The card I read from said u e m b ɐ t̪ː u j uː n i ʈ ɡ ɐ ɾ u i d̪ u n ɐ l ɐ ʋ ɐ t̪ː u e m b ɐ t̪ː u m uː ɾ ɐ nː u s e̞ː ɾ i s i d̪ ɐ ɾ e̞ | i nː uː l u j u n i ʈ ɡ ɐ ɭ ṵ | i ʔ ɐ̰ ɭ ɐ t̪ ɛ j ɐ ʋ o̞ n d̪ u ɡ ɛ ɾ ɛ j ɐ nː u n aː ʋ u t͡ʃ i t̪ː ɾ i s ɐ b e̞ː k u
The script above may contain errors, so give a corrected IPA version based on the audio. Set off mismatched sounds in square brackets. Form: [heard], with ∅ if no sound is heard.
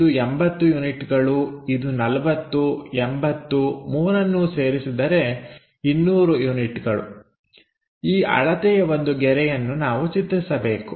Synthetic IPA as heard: u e m b ɐ t̪ː u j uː n i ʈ ɡ ɐ [ɭ] u i d̪ u n ɐ l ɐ ʋ ɐ t̪ː u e m b ɐ t̪ː u m uː ɾ ɐ nː u s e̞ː ɾ i s i d̪ ɐ ɾ e̞ | i nː uː [ɾ] u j u n i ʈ ɡ ɐ ɭ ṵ | [iː] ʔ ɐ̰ ɭ ɐ t̪ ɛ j ɐ ʋ o̞ n d̪ u ɡ ɛ ɾ ɛ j ɐ nː u n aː ʋ u t͡ʃ i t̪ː ɾ i s ɐ b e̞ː k u